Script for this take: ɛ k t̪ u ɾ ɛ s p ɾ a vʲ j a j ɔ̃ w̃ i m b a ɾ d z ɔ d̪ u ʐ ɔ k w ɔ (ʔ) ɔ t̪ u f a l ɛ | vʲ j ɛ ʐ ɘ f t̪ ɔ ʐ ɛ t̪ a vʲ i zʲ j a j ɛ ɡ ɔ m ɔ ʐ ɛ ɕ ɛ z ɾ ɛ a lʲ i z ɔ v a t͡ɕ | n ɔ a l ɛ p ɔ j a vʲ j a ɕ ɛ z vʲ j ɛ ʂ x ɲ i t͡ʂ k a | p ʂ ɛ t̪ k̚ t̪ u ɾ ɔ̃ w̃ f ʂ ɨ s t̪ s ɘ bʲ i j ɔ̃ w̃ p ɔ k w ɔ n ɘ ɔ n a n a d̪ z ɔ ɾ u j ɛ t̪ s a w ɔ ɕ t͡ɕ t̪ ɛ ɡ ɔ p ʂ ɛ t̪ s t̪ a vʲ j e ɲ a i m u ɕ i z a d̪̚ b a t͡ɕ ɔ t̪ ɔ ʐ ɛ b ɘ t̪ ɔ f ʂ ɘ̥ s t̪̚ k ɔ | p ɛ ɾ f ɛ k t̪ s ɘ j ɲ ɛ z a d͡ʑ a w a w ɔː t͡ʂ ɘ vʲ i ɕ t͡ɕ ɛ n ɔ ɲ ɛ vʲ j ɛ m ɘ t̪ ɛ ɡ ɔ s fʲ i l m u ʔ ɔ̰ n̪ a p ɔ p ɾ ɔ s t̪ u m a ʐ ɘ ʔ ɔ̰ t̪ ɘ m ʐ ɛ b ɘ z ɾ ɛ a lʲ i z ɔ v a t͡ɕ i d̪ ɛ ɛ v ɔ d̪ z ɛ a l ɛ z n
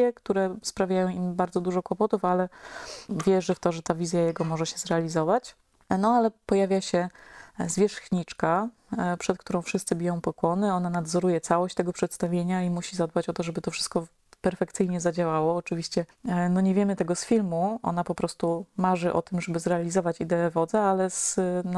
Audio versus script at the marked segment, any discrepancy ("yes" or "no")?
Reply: yes